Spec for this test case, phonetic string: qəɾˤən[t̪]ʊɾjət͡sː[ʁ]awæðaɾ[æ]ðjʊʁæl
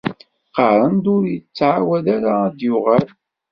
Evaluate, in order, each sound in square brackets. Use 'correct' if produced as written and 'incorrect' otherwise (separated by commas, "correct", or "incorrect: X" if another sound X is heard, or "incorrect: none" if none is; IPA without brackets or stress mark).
incorrect: d̪, incorrect: ʕ, incorrect: a